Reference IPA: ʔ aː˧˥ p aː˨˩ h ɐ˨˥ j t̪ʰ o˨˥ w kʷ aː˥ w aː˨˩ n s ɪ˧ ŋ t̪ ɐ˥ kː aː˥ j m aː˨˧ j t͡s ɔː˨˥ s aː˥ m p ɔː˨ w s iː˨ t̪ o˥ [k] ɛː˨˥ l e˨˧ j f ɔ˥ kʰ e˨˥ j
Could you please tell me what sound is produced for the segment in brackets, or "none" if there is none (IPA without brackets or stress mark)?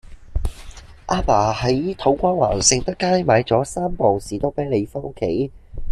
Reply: p